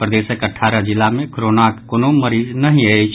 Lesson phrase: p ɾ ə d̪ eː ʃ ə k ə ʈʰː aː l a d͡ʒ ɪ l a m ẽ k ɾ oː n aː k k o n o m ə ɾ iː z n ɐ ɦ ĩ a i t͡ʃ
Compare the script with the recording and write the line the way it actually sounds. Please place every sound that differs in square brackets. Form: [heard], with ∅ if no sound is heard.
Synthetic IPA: p ɾ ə d̪ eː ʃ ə k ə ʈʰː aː [ɾ] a d͡ʒ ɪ l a m ẽ k ɾ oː n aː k k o n o m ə ɾ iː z n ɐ ɦ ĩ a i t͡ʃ